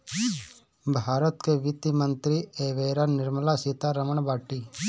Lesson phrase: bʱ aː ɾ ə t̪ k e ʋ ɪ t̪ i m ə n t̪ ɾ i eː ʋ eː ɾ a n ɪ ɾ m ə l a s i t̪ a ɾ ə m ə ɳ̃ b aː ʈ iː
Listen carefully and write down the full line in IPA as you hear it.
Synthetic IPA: bʱ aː ɾ ə t̪ k e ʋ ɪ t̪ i m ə n t̪ ɾ i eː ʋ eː ɾ a n ɪ ɾ m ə l a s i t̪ a ɾ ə m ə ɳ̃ b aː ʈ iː